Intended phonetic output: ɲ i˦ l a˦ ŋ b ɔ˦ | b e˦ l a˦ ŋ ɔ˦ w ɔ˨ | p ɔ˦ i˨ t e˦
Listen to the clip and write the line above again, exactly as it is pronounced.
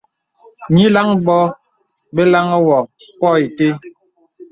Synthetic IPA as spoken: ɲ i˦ l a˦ ŋ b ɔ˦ | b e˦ l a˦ ŋ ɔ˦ w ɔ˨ | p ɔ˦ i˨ t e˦